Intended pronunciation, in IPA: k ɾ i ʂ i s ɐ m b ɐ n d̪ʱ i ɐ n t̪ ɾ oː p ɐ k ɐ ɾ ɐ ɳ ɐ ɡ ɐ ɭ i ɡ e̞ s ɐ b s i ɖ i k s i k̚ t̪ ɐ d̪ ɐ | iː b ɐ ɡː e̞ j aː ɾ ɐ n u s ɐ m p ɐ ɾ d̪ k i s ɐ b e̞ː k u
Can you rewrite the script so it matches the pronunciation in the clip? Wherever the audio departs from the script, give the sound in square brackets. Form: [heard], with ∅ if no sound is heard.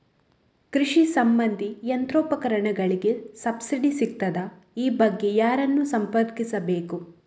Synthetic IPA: k ɾ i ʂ i s ɐ m b ɐ n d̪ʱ i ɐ n t̪ ɾ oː p ɐ k ɐ ɾ ɐ ɳ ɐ ɡ ɐ ɭ i ɡ e̞ s ɐ b s i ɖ i [∅] s i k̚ t̪ ɐ d̪ ɐ | iː b ɐ ɡː e̞ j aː ɾ ɐ [nː] u s ɐ m p ɐ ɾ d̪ k i s ɐ b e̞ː k u